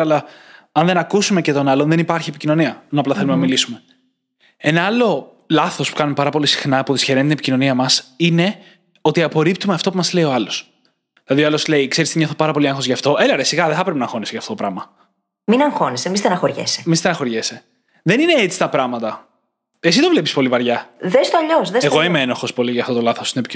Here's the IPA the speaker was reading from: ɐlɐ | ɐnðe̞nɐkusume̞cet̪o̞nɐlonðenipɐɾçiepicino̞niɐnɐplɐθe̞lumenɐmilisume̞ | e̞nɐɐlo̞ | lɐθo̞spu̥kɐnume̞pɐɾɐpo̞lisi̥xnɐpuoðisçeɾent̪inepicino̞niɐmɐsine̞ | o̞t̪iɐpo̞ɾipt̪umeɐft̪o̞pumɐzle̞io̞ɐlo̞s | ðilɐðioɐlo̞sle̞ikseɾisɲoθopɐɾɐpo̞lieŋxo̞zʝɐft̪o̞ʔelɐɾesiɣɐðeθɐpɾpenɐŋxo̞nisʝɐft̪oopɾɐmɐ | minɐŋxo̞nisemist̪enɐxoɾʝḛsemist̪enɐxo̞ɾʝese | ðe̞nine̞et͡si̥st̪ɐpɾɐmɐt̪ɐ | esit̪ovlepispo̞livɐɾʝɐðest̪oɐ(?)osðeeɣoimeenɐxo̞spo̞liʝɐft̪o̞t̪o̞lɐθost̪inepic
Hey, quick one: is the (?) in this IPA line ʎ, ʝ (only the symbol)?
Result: ʎ